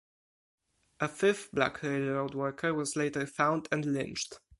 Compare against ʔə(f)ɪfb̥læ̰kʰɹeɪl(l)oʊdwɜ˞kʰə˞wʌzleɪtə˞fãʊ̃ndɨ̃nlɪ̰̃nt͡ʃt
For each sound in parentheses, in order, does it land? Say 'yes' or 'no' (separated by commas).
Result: yes, no